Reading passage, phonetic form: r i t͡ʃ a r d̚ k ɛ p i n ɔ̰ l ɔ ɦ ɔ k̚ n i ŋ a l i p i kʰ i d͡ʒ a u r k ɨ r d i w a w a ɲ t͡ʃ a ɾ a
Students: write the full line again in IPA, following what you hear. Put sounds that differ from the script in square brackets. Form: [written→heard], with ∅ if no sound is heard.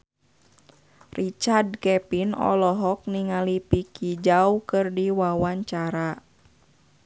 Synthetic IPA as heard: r i t͡ʃ a r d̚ k ɛ p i n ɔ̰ l ɔ ɦ ɔ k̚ n i ŋ a l i p i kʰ i d͡ʒ a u [r→∅] k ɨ r d i w a w a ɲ t͡ʃ a ɾ a